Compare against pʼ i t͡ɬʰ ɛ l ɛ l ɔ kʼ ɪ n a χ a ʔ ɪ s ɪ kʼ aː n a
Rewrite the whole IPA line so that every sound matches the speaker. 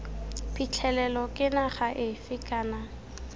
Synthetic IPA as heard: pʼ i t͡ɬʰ ɛ l ɛ l ɔ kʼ ɪ n a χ a ʔ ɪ f ɪ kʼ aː n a